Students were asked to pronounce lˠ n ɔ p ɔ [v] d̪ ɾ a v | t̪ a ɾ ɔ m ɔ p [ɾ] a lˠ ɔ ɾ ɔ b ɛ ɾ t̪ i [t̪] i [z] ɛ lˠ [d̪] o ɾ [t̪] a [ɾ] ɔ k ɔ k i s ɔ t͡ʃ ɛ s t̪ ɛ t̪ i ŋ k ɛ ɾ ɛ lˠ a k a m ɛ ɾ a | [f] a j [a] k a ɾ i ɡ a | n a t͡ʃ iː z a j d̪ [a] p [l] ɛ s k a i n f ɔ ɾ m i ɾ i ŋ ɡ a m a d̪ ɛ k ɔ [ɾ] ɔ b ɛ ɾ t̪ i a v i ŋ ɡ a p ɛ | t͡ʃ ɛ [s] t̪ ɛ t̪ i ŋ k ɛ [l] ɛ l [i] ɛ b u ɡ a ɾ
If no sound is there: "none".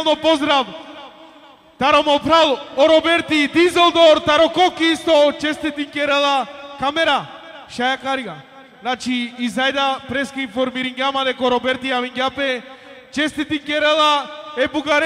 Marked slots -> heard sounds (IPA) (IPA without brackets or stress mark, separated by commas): z, ɾ, d̪, z, d̪, t̪, ɾ, ʃ, a, a, ɾ, ɾ, s, ɾ, a